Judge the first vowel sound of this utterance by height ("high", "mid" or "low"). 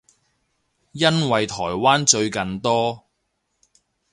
low